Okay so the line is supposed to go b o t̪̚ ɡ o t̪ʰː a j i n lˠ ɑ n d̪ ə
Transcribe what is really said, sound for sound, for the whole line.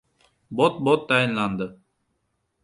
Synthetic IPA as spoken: b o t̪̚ b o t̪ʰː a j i n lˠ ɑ n d̪ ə